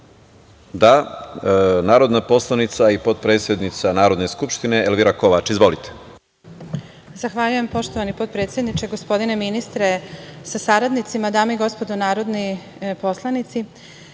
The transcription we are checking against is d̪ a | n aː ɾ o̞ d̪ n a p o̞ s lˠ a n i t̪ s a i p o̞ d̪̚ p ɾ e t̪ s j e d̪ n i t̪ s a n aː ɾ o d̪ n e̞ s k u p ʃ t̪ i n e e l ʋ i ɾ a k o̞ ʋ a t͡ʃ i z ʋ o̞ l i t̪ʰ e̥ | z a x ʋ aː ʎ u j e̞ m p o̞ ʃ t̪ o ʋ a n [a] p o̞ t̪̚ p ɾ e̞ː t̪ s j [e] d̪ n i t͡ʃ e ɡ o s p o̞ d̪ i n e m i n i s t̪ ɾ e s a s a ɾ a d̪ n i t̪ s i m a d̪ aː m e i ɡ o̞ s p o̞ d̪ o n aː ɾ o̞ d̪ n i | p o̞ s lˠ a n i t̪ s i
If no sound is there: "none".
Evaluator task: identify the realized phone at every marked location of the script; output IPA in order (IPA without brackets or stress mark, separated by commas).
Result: i, e